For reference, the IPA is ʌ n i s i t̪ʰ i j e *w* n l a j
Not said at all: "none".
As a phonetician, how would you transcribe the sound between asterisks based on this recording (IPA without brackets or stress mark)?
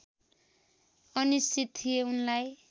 u